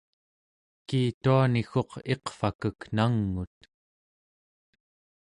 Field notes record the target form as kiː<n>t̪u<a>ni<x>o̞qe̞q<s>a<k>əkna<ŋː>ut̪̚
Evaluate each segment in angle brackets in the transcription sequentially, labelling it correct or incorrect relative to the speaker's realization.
incorrect: none, correct, correct, incorrect: f, correct, correct

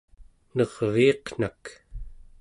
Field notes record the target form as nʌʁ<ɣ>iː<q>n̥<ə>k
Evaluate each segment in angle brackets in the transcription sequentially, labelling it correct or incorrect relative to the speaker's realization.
incorrect: v, correct, incorrect: a

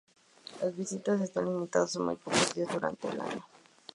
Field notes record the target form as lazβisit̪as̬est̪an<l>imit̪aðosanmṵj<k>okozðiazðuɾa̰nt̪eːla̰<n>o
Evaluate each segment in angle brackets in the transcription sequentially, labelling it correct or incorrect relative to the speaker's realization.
correct, incorrect: p, incorrect: ɲ

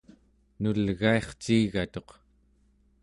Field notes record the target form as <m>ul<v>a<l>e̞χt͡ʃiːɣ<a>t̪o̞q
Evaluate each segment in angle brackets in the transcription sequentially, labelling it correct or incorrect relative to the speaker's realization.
incorrect: n, incorrect: ɣ, incorrect: none, correct

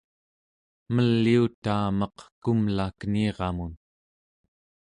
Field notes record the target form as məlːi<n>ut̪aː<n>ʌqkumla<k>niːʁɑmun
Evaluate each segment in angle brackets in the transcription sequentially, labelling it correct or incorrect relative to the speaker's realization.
incorrect: none, incorrect: m, correct

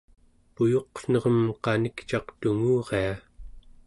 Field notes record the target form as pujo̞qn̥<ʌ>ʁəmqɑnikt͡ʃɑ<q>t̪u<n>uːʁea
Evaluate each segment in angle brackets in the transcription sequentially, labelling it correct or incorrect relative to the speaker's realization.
correct, correct, incorrect: ŋ

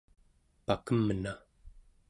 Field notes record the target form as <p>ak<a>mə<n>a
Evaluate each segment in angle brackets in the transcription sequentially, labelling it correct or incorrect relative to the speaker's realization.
correct, incorrect: ə, correct

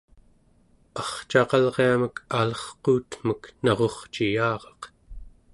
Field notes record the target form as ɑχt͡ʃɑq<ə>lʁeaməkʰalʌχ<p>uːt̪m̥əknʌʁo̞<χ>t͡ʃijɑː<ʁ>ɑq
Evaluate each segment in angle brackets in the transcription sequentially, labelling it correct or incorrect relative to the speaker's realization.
incorrect: ɑ, incorrect: q, correct, correct

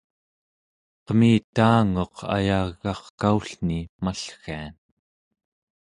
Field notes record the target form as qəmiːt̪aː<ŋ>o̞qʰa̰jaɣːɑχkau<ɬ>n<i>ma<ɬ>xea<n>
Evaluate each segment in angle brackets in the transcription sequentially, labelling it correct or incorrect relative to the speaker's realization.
correct, correct, correct, correct, correct

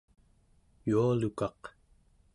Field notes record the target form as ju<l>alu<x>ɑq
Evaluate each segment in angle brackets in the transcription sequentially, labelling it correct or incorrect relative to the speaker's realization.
incorrect: none, incorrect: k

